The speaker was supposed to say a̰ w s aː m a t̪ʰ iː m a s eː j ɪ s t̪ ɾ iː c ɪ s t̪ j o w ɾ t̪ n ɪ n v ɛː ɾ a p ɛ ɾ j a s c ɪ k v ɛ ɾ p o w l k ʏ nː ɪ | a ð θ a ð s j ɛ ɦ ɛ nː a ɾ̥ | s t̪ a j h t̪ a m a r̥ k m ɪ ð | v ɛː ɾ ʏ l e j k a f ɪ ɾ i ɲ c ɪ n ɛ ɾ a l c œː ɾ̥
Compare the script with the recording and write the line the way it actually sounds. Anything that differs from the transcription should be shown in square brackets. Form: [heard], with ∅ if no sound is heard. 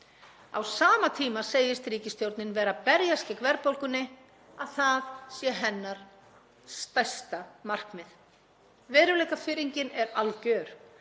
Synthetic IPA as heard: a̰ w s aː m a t̪ʰ iː m a s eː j ɪ s t̪ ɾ iː c ɪ s t̪ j o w ɾ t̪ n ɪ n v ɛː ɾ a p ɛ ɾ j a s c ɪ k v ɛ ɾ p o w l k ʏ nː ɪ | a ð θ a ð s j ɛ ɦ ɛ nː a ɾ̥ | s t̪ a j [s] t̪ a m a r̥ k m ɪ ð | v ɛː ɾ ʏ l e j k a f ɪ ɾ i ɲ c ɪ n ɛ ɾ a l c œː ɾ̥